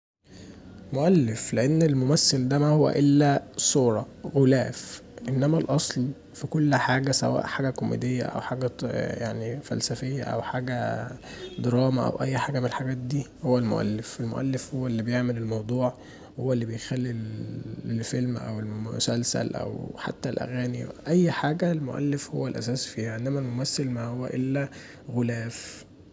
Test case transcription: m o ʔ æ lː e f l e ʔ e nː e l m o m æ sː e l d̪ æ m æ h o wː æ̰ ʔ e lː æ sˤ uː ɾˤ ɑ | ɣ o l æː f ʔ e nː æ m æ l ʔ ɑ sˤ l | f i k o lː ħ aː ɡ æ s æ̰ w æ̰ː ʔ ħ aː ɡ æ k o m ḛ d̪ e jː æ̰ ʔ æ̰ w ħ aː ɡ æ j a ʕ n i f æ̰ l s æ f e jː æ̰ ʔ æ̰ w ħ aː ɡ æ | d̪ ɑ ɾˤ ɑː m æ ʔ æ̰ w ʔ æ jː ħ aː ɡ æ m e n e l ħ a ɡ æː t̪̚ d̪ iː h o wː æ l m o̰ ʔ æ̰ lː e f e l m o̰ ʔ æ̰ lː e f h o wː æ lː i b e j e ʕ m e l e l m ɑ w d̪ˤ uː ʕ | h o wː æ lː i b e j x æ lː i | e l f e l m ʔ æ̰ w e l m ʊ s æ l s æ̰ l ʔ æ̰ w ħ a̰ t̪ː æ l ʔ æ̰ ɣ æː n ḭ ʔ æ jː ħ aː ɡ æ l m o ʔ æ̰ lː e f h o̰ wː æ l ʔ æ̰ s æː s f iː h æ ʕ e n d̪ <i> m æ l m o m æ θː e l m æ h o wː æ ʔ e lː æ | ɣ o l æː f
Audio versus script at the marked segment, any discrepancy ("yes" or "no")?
yes